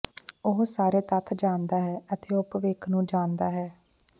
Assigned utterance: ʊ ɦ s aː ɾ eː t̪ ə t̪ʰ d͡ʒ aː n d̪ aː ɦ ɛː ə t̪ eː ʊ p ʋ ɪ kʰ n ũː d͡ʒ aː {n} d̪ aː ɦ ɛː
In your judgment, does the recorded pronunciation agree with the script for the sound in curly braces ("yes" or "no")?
yes